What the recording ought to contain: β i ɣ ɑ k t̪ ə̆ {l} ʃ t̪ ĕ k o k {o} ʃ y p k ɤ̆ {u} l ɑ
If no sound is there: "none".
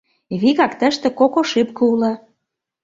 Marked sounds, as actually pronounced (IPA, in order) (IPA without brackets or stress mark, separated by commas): none, o, u